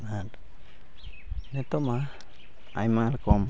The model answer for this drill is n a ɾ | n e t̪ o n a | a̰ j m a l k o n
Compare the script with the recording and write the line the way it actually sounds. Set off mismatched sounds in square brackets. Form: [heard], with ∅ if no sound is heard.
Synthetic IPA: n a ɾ | n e t̪ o [m] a | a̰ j m a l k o [m]

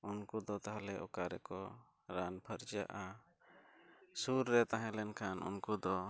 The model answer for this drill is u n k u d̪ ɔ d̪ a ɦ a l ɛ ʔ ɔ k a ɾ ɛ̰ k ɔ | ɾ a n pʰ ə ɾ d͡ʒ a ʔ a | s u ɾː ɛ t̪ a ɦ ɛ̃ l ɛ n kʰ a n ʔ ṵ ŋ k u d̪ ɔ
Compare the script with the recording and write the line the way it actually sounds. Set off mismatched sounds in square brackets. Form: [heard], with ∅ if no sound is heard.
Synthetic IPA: u n k u d̪ ɔ [t̪] a ɦ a l ɛ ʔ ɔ k a ɾ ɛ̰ k ɔ | ɾ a n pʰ ə ɾ d͡ʒ a ʔ a | s u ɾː ɛ t̪ a ɦ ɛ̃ l ɛ n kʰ a n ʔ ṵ [n] k u d̪ ɔ

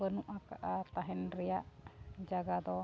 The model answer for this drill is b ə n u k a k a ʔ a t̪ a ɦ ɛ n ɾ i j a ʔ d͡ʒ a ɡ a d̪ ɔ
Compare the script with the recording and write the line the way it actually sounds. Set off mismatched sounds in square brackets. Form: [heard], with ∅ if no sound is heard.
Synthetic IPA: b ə n u [ʔ] a k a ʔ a t̪ a ɦ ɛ n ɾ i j a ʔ d͡ʒ a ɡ a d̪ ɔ

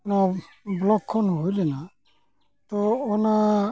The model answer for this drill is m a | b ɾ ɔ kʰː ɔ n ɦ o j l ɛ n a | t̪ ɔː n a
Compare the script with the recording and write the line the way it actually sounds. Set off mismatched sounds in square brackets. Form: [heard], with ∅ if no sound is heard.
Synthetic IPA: [n] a | b [l] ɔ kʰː ɔ n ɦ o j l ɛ n a | t̪ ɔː n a

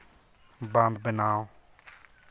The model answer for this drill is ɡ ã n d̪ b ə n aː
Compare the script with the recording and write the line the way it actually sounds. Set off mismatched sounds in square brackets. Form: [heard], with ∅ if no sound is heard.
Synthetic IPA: [b] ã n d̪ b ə n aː

